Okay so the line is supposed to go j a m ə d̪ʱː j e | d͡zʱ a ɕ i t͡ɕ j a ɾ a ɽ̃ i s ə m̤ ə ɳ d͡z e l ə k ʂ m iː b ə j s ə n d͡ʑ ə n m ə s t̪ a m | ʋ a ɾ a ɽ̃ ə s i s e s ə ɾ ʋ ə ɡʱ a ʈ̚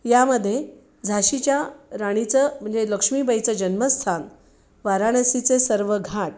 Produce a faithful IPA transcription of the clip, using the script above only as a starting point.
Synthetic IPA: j a m ə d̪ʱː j e | d͡zʱ a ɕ i t͡ɕ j a ɾ a ɽ̃ i t͡s ə m̤ ə ɳ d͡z e l ə k ʂ m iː b ə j t͡s ə d͡ʑ ə n m ə s t̪ʰ a n | ʋ a ɾ a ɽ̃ ə s i t͡s e s ə ɾ ʋ ə ɡʱ a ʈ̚